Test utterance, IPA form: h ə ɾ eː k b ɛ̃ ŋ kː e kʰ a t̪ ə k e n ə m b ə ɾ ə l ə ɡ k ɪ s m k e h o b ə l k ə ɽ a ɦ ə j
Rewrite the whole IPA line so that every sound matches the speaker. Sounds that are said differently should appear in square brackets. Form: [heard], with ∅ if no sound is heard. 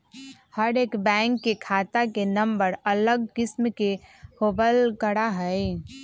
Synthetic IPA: h ə ɾ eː k b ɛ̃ ŋ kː e kʰ a t̪ [a] k e n ə m b ə ɾ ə l ə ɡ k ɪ s m k e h o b ə l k ə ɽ a ɦ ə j